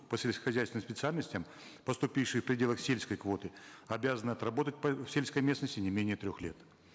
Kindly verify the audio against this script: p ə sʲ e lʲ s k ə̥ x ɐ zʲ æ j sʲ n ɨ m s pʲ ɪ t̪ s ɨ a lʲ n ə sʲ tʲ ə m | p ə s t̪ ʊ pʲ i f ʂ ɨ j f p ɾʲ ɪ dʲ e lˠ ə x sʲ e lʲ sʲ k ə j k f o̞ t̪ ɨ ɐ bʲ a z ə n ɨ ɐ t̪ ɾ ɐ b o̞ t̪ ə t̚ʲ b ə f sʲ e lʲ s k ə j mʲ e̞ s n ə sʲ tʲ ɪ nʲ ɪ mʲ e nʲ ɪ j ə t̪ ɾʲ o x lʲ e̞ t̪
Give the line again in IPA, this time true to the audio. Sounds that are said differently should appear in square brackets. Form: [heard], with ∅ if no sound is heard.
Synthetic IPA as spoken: p ə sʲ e lʲ s k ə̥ x ɐ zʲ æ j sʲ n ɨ m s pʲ ɪ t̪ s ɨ a lʲ n ə sʲ tʲ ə m | p ə s t̪ ʊ pʲ i f ʂ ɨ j f p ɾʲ ɪ dʲ e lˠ ə x sʲ e lʲ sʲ k ə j k [v] o̞ t̪ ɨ ɐ bʲ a z ə n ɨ ɐ t̪ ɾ ɐ b o̞ t̪ ə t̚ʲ [p] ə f sʲ e lʲ s k ə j mʲ e̞ s n ə sʲ tʲ ɪ nʲ ɪ mʲ e nʲ ɪ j ə t̪ ɾʲ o x lʲ e̞ t̪